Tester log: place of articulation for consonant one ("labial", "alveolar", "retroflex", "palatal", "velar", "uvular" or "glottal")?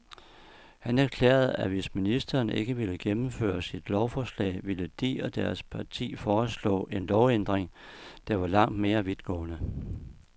glottal